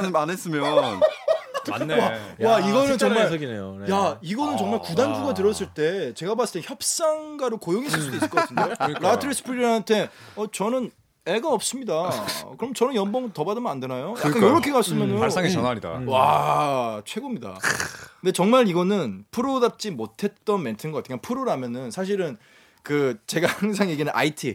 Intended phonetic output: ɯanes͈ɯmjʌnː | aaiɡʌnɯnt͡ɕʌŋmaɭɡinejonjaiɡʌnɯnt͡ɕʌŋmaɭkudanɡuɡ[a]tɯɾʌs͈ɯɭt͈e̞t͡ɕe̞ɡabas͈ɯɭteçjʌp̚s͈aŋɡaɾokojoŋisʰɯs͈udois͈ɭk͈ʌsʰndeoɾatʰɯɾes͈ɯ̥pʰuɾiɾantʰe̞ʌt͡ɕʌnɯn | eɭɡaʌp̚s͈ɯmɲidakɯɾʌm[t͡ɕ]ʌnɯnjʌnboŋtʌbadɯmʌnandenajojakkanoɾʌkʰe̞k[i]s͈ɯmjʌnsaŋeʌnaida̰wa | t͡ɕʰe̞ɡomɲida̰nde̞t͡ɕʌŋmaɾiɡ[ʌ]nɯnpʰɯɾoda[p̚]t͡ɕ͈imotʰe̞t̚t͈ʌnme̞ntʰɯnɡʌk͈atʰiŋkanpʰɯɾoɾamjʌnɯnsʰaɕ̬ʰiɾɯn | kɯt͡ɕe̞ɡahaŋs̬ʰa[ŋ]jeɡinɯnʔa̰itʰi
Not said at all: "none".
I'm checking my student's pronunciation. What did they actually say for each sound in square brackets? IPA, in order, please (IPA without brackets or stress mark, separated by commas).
a, t͡ɕ, a, ʌ, p̚, ŋ